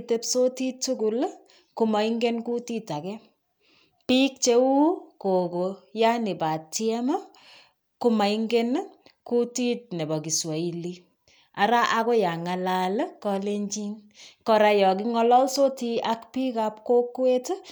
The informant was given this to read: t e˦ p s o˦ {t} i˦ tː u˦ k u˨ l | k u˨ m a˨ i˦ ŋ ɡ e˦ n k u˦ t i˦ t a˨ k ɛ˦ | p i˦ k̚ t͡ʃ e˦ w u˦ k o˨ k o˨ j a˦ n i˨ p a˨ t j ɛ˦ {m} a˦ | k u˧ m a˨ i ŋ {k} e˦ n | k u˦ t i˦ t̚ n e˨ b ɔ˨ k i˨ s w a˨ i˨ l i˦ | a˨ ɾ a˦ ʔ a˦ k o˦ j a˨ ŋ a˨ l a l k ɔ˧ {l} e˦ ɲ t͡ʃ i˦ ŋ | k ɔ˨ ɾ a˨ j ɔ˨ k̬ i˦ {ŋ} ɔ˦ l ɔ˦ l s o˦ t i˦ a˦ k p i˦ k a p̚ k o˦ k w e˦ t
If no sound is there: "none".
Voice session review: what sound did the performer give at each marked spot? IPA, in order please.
t, m, ɡ, l, ŋ

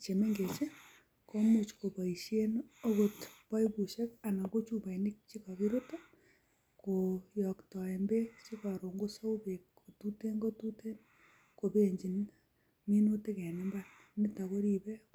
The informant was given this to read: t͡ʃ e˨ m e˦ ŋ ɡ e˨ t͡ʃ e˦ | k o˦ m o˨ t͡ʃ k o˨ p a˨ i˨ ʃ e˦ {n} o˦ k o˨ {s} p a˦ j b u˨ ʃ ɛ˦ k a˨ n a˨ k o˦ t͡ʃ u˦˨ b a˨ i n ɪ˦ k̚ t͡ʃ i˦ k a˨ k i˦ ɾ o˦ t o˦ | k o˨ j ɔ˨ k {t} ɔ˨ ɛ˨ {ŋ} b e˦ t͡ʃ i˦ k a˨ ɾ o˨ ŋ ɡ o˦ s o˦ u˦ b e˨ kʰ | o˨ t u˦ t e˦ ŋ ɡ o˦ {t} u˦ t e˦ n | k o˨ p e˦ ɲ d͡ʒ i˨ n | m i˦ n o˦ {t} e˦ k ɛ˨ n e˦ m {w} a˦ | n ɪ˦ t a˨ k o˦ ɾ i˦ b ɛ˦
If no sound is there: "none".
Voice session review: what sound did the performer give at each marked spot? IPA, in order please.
n, t, t, m, t, t, b

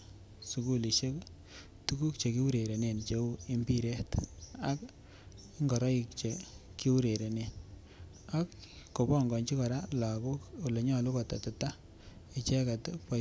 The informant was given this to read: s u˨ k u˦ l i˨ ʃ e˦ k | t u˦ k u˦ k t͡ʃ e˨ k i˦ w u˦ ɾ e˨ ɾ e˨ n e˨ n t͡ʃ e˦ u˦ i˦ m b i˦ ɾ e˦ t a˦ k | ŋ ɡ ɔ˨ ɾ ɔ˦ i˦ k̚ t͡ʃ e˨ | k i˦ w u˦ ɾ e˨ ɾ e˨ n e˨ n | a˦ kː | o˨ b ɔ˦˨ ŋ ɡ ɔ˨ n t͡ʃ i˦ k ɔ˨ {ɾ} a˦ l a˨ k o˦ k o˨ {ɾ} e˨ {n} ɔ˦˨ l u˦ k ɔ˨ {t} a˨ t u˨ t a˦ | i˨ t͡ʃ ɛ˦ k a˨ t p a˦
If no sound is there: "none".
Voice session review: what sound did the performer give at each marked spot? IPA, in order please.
ɾ, l, ɲ, t

